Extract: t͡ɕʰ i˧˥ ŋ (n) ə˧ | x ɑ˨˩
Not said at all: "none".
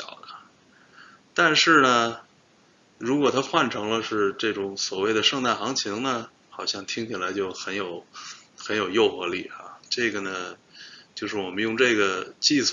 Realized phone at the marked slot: n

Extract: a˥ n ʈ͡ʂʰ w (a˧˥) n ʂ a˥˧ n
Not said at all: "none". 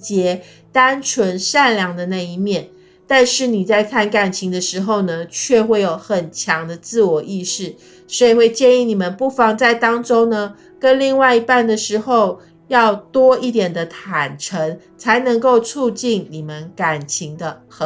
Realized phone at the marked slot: ə˧˥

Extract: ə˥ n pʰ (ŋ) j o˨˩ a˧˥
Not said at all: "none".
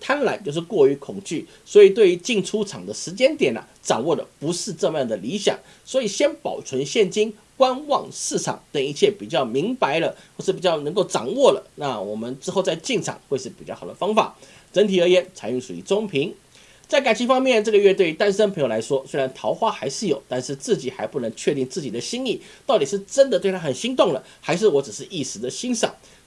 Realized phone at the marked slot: ŋ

